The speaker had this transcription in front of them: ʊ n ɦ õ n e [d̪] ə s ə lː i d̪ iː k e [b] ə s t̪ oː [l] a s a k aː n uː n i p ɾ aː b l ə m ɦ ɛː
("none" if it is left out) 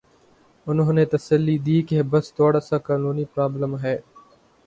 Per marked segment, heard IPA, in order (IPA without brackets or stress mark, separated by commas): t̪, b, ɽ